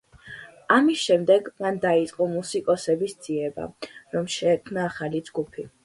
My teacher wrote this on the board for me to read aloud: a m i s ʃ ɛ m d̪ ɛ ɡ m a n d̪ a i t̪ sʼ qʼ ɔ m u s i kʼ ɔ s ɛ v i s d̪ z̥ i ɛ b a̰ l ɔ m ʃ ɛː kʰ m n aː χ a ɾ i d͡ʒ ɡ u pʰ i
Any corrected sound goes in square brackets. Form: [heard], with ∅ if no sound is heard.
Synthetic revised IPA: a m i s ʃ ɛ m d̪ ɛ ɡ m a n d̪ a i t̪ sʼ qʼ ɔ m u s i kʼ ɔ s ɛ [b] i s d̪ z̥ i ɛ b a̰ [ɾ] ɔ m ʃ ɛː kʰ m n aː χ a [l] i d͡ʒ ɡ u pʰ i